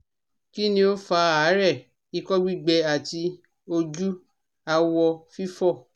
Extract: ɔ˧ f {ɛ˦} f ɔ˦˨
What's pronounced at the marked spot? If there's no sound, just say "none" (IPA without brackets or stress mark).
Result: i˦